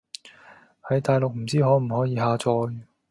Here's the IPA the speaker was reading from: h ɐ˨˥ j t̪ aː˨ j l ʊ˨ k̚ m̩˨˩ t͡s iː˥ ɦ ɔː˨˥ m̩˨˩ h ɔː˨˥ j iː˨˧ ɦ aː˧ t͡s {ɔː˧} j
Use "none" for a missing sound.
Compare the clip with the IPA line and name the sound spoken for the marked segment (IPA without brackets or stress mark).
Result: ɔː˧